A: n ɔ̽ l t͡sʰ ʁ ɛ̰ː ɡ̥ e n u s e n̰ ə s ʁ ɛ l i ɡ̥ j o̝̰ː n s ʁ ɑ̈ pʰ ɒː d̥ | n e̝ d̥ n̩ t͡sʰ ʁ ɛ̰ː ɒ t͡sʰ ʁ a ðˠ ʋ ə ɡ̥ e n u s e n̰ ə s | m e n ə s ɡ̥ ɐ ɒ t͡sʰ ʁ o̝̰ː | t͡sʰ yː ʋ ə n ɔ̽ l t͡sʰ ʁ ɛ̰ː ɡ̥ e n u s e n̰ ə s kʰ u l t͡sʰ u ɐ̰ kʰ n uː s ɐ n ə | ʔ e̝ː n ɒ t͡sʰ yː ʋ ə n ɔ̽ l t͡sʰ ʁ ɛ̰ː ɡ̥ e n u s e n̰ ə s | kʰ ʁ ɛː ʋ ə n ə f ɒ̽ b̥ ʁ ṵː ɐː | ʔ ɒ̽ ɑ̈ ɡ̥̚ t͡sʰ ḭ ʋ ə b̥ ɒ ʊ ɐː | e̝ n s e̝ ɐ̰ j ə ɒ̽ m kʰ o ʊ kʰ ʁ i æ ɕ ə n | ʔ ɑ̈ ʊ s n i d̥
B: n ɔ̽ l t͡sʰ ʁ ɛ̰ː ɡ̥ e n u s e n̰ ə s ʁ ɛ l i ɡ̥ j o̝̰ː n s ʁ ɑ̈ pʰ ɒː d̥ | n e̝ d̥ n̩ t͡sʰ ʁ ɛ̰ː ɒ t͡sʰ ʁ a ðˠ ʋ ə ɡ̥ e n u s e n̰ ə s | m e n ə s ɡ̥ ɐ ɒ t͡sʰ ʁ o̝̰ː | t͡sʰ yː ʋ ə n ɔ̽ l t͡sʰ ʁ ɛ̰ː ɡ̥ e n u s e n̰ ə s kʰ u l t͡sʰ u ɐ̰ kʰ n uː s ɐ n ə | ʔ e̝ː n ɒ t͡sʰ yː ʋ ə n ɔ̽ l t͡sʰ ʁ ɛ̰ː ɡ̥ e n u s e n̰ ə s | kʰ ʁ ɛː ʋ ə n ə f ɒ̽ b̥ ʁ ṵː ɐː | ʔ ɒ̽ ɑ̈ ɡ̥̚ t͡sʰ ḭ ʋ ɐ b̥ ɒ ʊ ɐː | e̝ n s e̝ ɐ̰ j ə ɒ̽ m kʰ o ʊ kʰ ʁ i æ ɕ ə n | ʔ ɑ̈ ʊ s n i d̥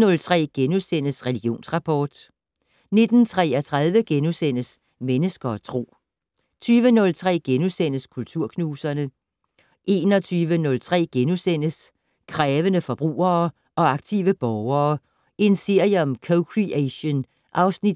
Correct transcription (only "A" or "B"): A